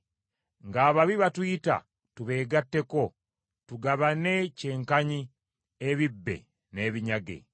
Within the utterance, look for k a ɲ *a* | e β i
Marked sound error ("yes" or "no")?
yes